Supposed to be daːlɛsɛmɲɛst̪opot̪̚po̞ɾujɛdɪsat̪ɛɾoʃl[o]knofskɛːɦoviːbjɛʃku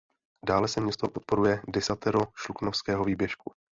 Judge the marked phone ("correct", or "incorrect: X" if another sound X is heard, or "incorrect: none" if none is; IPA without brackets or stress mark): incorrect: u